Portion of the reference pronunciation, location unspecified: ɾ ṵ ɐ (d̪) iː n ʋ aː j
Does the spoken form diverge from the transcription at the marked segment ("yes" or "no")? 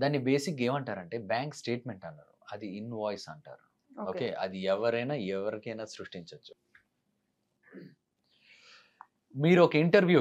no